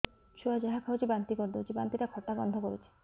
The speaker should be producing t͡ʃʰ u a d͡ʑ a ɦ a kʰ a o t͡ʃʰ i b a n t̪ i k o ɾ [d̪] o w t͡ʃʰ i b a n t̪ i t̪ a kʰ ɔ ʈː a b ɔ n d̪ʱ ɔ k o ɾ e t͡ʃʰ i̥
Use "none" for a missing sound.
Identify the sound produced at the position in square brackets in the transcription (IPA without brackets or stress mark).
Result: d̪